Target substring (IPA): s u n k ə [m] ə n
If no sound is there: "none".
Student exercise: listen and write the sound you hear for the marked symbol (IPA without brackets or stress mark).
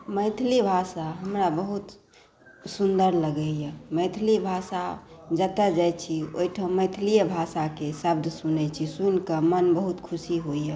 m